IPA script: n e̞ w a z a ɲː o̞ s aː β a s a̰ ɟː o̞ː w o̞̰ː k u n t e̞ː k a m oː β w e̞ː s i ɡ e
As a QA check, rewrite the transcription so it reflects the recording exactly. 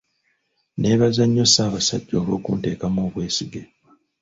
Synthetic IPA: n e̞ β a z a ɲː o̞ s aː β a s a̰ ɟː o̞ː β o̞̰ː k u n t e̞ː k a m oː β w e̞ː s i ɡ e